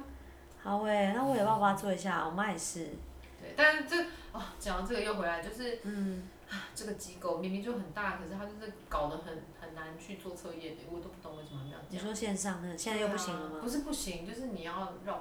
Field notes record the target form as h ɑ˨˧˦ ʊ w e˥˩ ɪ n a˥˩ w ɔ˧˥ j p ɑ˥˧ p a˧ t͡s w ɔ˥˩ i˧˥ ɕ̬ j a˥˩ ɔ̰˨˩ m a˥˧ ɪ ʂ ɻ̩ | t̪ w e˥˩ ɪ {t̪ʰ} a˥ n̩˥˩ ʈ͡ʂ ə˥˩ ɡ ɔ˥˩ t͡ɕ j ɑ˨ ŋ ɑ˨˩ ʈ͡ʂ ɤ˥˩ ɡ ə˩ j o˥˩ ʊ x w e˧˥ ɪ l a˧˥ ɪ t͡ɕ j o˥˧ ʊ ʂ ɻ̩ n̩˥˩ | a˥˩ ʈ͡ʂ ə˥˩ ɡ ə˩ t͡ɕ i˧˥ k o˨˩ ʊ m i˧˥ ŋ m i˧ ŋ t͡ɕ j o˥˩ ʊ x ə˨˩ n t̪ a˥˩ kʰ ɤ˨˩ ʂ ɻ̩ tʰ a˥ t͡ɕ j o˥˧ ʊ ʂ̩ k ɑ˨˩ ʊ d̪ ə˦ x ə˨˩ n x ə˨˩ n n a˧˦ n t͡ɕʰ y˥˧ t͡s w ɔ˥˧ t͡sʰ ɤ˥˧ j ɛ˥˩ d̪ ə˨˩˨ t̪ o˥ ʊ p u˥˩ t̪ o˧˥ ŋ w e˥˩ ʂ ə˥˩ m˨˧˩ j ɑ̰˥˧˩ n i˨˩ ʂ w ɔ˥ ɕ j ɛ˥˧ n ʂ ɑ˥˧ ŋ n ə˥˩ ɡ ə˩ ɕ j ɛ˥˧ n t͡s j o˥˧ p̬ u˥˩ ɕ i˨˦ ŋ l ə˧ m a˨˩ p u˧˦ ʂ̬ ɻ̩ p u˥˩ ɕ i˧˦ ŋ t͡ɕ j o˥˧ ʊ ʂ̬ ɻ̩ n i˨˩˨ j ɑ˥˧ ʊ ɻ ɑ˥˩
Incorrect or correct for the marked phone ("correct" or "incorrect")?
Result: incorrect